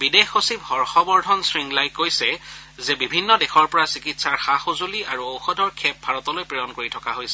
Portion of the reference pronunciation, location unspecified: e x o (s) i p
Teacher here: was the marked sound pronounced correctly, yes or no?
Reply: yes